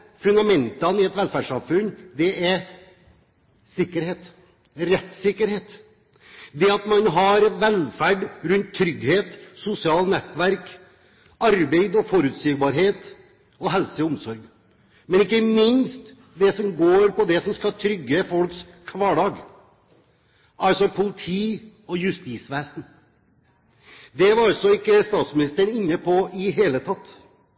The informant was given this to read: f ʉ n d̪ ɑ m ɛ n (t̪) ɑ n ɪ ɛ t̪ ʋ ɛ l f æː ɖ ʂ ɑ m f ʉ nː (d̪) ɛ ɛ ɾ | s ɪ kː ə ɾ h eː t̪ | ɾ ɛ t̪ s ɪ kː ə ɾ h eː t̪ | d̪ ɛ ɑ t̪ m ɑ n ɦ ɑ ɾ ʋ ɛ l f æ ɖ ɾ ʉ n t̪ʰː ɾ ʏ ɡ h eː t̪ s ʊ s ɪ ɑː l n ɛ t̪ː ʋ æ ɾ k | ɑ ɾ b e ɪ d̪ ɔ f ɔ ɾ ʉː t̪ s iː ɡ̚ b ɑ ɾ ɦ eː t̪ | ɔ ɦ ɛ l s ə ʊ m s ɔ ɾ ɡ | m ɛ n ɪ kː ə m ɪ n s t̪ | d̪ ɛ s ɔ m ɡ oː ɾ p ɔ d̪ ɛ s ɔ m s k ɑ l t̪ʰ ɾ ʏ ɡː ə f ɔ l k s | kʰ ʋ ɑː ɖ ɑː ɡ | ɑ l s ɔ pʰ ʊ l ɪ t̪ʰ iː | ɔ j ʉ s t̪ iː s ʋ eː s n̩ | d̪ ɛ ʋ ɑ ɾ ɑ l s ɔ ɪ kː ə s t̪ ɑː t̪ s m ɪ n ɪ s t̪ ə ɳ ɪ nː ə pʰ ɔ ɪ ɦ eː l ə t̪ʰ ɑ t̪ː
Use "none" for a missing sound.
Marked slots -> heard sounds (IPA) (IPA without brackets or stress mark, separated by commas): t̪, d̪